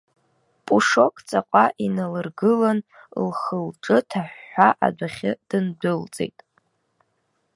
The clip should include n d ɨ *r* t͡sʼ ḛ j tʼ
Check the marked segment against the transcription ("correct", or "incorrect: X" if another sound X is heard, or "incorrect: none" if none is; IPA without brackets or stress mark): incorrect: l